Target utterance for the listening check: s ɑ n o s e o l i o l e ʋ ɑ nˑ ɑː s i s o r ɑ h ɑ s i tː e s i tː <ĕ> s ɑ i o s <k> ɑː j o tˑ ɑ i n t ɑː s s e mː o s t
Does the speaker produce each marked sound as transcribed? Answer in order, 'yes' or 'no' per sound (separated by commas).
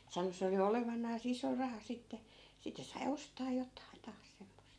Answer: yes, no